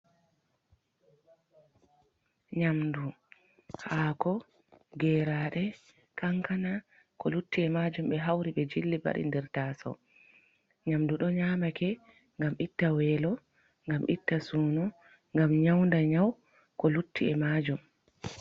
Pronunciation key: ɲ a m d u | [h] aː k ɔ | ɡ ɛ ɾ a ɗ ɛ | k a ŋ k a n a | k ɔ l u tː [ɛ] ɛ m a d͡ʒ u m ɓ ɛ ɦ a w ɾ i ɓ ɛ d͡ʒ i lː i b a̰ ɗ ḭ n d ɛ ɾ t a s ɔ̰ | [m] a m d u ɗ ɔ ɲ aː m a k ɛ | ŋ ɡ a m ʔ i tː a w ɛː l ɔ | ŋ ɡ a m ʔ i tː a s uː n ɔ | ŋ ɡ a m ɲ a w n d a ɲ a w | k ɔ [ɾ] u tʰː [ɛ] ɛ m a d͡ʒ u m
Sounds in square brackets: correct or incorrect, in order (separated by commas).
correct, incorrect, incorrect, incorrect, incorrect